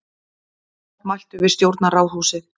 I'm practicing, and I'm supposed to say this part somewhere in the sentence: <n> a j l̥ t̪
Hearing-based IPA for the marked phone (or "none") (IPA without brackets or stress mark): m